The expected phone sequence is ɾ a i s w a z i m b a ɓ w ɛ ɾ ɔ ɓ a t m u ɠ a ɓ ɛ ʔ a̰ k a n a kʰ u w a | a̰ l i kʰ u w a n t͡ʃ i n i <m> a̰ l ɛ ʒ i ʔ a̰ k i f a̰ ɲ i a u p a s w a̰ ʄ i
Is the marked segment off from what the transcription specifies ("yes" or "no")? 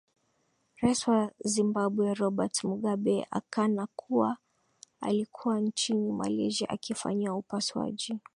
no